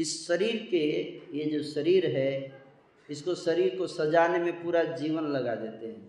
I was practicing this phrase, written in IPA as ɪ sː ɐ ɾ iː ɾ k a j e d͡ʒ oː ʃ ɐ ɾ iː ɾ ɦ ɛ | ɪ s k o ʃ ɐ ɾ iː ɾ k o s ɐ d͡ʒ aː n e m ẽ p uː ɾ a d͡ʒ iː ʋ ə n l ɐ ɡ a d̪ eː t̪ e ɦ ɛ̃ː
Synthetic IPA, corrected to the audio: ɪ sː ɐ ɾ iː ɾ k e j e d͡ʒ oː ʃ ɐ ɾ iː ɾ ɦ ɛ | ɪ s k o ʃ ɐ ɾ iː ɾ k o s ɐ d͡ʒ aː n e m ẽ p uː ɾ a d͡ʒ iː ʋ ə n l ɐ ɡ a d̪ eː t̪ e ɦ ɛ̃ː